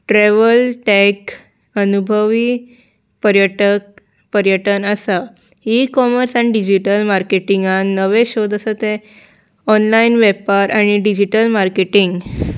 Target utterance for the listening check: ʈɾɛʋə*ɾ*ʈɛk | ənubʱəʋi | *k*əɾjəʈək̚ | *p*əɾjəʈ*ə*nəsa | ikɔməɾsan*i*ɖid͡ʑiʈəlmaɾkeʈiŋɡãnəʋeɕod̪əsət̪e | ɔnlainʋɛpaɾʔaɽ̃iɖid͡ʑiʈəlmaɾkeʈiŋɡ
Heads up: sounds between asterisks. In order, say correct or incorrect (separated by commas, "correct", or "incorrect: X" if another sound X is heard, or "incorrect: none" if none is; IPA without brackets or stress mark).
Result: incorrect: l, incorrect: p, correct, correct, correct